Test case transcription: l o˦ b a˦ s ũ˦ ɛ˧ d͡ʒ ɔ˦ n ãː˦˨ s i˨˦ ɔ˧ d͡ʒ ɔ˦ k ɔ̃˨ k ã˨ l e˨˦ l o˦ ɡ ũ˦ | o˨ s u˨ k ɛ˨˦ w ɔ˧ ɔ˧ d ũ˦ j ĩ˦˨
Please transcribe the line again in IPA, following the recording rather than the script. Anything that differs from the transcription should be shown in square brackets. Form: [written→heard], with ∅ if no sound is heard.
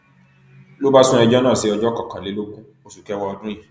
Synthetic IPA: l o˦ b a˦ s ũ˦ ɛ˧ d͡ʒ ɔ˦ n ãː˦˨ s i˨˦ ɔ˧ d͡ʒ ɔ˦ k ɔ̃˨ k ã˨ l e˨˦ l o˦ ɡ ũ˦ | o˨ s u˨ k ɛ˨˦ w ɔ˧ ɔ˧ d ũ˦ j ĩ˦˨